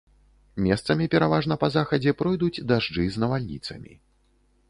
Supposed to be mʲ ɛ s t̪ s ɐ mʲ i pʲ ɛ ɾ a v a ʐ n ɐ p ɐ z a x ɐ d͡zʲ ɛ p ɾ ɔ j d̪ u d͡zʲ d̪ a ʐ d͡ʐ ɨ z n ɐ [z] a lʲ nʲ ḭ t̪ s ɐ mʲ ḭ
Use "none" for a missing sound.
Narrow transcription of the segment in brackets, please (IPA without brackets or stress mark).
v